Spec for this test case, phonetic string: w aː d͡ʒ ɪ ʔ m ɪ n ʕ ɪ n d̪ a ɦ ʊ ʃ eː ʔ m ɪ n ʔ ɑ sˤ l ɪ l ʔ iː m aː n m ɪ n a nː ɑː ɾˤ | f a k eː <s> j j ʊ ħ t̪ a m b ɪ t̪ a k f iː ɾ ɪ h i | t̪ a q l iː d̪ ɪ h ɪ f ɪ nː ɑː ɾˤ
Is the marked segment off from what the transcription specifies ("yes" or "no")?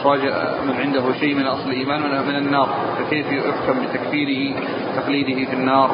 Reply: yes